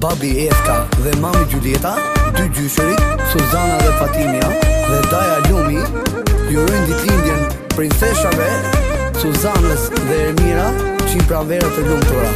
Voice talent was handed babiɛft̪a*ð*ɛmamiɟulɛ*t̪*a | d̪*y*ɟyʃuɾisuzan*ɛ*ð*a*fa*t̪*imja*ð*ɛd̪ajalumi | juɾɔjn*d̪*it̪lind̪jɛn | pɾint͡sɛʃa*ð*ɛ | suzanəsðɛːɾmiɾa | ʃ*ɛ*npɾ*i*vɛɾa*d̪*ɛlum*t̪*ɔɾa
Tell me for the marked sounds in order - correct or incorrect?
correct, correct, correct, incorrect: a, incorrect: ɛ, correct, correct, correct, incorrect: v, incorrect: i, incorrect: a, incorrect: t̪, correct

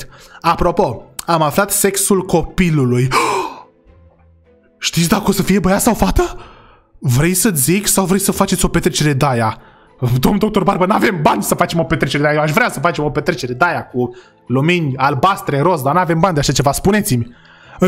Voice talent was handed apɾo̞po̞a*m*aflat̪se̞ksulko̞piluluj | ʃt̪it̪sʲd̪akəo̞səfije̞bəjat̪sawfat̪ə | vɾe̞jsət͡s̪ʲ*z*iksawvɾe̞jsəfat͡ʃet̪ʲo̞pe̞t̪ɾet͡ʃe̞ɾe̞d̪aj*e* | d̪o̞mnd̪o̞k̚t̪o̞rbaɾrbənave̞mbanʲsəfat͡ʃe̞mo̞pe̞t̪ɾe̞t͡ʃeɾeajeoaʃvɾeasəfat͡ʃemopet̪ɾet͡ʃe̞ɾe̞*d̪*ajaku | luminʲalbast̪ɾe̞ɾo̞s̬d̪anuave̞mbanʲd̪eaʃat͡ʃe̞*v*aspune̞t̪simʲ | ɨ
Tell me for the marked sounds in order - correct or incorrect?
correct, correct, incorrect: a, correct, correct

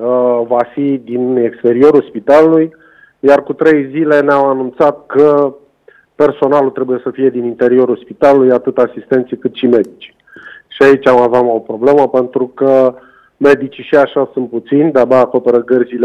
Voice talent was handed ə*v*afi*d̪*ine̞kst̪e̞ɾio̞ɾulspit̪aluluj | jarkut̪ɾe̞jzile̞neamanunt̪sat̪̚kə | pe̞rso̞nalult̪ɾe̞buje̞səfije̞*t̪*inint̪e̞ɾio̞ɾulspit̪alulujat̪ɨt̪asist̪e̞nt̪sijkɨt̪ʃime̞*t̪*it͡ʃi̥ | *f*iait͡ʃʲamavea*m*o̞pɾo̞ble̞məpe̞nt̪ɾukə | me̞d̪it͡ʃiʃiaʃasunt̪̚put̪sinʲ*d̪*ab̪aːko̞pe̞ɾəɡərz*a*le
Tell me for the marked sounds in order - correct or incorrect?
correct, correct, incorrect: d̪, incorrect: d̪, incorrect: ʃ, correct, correct, incorrect: i

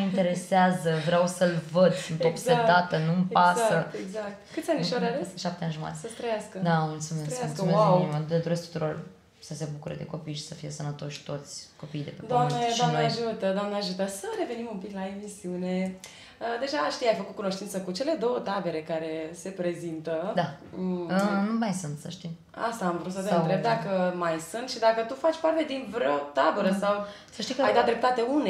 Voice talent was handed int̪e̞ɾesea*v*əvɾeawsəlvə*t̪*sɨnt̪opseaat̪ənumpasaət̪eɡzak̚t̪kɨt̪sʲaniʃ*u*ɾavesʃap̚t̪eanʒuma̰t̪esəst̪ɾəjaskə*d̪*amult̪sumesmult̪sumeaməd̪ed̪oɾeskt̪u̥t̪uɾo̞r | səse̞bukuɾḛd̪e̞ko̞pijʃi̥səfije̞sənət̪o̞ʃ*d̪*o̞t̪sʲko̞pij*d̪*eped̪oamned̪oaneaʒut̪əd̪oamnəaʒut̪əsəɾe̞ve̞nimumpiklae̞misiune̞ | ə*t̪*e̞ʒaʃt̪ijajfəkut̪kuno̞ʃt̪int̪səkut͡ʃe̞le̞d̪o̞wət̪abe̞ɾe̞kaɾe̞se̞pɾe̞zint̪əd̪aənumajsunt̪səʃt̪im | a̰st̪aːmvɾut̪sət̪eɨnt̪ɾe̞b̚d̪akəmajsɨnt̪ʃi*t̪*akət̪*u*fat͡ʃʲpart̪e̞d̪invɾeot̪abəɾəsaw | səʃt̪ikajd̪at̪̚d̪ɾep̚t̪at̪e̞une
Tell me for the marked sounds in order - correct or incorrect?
incorrect: z, incorrect: d̪, incorrect: o, correct, incorrect: t̪, correct, incorrect: d̪, incorrect: d̪, correct

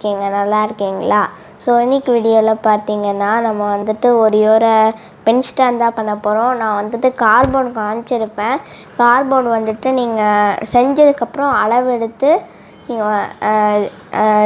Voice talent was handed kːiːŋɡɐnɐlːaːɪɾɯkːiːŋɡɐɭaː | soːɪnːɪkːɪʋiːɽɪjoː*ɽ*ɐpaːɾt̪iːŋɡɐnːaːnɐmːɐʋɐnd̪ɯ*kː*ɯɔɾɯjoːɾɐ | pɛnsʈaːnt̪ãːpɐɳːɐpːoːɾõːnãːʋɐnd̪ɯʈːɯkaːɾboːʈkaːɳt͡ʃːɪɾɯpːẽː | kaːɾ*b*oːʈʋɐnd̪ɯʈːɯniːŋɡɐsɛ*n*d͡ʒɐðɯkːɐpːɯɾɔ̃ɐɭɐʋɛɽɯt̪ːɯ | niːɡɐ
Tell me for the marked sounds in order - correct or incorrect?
incorrect: l, incorrect: ʈː, correct, incorrect: ɲ

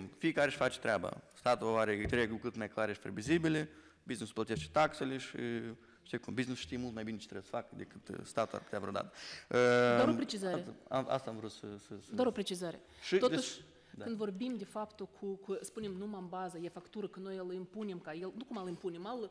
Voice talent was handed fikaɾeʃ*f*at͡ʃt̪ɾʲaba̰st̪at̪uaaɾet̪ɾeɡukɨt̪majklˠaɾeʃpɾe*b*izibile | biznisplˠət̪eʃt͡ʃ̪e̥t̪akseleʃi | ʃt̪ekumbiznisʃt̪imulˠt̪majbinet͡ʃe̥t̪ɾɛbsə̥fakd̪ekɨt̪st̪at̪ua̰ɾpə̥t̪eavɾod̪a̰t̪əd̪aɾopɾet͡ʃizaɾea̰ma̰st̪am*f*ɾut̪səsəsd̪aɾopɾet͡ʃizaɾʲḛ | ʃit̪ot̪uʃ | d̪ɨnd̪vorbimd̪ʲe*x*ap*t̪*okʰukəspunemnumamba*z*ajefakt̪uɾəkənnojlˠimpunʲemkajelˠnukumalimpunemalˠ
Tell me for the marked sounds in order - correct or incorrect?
correct, incorrect: v, incorrect: v, incorrect: f, correct, correct

